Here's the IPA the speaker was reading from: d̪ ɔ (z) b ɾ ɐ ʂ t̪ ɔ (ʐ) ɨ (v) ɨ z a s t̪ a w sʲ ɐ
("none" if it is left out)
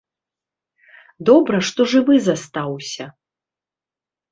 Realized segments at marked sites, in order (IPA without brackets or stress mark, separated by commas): none, ʐ, v